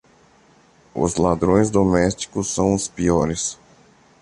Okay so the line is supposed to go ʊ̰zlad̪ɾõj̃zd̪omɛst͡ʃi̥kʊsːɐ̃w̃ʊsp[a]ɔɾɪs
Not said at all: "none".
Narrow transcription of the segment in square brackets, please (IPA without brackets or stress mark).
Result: i